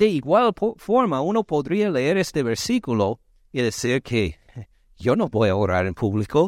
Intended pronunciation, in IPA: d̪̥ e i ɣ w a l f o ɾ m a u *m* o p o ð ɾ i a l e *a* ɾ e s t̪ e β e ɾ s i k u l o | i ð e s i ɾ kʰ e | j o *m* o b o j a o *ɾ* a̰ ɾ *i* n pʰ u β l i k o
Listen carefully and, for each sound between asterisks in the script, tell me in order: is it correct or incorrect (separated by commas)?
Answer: incorrect, incorrect, incorrect, correct, incorrect